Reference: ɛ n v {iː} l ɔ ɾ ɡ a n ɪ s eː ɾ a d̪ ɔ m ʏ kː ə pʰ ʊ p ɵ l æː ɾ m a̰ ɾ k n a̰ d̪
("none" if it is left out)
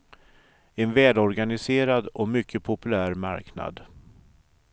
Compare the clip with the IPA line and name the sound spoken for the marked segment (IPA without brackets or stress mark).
ɛː